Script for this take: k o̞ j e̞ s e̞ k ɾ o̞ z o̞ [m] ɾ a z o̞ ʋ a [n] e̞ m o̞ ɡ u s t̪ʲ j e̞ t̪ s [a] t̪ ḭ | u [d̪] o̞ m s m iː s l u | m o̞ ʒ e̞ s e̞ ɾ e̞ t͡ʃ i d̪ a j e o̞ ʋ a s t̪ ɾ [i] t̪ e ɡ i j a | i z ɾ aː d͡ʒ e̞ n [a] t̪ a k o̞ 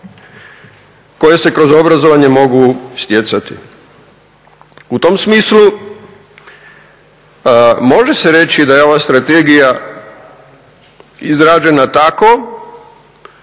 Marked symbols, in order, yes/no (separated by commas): no, no, yes, no, no, yes